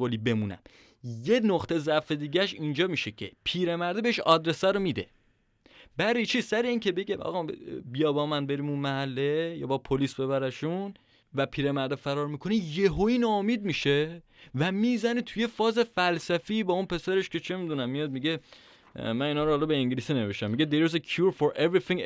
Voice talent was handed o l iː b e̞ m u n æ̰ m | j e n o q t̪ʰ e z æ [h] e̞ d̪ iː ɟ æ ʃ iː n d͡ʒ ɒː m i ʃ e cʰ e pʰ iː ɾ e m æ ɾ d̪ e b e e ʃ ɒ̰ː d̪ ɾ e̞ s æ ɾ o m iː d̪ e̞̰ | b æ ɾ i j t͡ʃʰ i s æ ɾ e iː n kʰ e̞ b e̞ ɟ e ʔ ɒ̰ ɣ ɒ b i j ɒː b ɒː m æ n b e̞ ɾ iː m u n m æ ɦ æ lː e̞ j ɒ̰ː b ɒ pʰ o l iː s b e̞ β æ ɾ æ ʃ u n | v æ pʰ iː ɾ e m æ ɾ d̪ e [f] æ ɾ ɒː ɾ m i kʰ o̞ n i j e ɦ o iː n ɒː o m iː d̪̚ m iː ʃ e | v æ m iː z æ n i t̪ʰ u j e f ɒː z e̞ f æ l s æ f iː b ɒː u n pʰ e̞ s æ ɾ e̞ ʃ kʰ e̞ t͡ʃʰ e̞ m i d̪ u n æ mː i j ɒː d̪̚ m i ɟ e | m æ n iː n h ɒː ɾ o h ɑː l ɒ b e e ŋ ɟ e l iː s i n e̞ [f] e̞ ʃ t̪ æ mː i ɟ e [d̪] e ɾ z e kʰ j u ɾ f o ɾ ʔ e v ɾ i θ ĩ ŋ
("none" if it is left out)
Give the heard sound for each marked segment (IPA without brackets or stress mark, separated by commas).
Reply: f, f, v, d̪